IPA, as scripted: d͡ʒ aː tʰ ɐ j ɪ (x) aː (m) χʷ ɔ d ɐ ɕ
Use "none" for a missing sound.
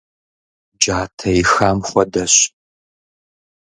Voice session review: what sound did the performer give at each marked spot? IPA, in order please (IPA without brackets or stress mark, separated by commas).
x, m